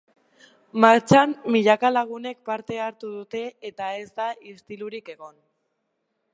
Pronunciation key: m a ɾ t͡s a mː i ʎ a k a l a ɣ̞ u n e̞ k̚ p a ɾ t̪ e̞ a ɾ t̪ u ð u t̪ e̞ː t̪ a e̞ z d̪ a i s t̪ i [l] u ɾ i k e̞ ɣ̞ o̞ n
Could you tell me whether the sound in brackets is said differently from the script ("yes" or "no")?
no